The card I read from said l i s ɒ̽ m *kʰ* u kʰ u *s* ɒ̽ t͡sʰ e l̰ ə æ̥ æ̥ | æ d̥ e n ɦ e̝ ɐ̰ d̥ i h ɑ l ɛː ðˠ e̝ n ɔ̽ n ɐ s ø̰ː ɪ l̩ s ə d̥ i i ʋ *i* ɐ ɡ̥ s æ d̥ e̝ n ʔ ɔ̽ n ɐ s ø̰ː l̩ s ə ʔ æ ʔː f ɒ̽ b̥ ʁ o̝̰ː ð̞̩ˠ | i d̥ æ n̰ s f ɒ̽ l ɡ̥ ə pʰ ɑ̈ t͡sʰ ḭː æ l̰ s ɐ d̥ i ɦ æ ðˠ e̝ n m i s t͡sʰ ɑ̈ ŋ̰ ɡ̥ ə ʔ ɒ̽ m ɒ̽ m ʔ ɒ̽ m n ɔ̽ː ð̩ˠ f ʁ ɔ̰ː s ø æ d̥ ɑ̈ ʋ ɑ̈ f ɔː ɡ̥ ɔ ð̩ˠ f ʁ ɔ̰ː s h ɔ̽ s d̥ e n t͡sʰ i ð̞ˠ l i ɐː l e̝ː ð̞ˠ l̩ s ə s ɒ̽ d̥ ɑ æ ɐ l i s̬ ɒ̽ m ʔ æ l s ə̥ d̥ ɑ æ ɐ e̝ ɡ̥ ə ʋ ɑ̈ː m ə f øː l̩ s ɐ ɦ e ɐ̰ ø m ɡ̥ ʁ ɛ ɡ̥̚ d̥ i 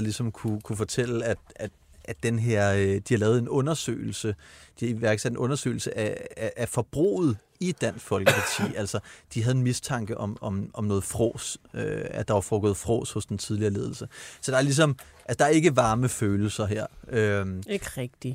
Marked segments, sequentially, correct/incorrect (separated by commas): correct, incorrect, incorrect